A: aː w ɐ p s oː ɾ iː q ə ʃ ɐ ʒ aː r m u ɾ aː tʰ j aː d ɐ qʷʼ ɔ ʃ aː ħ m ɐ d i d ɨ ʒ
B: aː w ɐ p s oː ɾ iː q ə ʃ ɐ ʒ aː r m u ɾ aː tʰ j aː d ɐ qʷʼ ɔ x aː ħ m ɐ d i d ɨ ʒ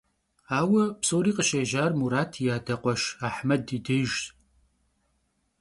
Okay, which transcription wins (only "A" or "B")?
A